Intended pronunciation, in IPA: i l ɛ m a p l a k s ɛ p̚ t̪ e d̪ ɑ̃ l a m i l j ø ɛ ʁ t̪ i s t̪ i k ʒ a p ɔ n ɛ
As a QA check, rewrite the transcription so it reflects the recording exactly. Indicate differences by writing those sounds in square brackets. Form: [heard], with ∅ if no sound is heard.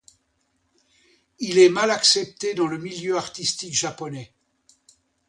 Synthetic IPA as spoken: i l ɛ m a [∅] l a k s ɛ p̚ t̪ e d̪ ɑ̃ l [ə] m i l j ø [a] ʁ t̪ i s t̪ i k ʒ a p ɔ n ɛ